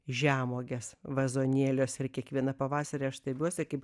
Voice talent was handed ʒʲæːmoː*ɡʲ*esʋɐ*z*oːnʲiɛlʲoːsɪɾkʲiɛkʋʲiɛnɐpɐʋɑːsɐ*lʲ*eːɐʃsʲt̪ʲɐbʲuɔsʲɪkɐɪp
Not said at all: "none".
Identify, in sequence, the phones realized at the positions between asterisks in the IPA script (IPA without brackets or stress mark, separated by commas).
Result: ɡʲ, z, ɾʲ